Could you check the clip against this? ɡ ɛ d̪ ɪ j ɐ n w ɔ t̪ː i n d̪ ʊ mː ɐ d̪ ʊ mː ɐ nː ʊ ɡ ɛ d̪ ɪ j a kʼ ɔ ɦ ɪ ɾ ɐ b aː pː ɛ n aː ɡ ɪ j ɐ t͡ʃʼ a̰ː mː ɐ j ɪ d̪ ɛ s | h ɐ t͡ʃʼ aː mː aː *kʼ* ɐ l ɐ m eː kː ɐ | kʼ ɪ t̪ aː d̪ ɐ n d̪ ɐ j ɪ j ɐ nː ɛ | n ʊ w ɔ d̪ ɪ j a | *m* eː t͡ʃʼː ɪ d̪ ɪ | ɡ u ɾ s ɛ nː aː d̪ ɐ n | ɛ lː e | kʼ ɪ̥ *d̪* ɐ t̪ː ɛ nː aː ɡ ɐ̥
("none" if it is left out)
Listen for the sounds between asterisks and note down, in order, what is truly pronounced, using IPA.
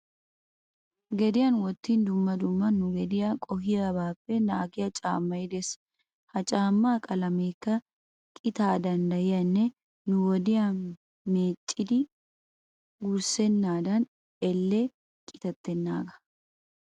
kʼ, m, t̪

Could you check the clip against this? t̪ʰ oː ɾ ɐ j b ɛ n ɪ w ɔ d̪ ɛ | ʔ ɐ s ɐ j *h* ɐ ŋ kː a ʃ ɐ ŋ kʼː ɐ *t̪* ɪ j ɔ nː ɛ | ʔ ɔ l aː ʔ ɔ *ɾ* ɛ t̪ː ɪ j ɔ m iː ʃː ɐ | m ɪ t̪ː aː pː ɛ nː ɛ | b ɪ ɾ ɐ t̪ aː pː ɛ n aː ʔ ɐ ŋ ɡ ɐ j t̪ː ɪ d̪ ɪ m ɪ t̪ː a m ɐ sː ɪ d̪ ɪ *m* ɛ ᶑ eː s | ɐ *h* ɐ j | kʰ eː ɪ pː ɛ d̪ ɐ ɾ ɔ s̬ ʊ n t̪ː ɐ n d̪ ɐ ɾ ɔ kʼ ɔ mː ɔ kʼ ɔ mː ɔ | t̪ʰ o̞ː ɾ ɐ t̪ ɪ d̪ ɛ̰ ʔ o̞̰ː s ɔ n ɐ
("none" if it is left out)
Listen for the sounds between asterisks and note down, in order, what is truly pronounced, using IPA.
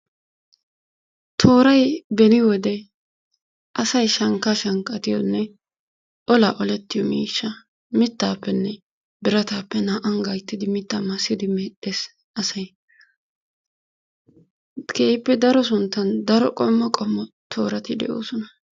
ʃ, t̪, l, m, s

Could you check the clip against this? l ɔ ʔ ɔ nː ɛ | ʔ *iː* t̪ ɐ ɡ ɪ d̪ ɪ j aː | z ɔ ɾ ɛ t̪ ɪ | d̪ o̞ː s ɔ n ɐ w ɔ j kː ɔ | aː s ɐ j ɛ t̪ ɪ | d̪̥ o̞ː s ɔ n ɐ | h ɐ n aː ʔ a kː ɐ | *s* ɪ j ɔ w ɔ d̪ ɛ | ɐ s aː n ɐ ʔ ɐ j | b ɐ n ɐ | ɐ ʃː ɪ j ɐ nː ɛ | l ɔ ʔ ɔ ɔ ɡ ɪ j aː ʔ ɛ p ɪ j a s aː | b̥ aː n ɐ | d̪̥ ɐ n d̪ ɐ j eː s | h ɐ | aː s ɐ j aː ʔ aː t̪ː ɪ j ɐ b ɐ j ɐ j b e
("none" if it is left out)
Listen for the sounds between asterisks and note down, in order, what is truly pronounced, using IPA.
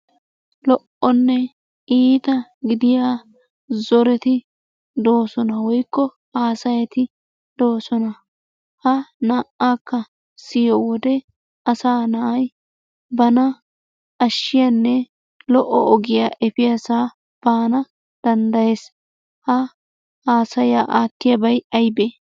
iː, s

